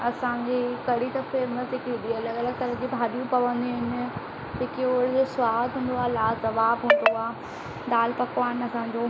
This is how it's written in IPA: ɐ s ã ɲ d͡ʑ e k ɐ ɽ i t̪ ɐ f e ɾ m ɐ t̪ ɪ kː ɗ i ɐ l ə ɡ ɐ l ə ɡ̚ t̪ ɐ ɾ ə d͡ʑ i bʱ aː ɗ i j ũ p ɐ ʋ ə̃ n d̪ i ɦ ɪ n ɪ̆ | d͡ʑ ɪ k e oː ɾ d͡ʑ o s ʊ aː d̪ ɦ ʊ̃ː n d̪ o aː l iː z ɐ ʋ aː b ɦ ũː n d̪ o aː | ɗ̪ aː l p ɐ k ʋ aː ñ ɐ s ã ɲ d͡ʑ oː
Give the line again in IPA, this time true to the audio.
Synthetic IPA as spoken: ɐ s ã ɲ d͡ʑ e k ɐ ɽ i t̪ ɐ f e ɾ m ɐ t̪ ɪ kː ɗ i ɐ l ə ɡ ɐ l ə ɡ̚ t̪ ɐ ɾ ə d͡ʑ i bʱ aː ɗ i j ũ p ɐ ʋ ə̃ n d̪ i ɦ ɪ n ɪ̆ | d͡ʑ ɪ k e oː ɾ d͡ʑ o s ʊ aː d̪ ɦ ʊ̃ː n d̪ o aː l aː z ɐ ʋ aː b ɦ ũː n d̪ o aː | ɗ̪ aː l p ɐ k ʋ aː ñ ɐ s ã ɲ d͡ʑ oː